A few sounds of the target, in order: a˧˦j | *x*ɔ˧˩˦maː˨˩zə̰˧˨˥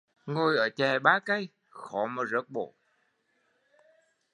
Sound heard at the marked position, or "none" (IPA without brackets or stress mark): x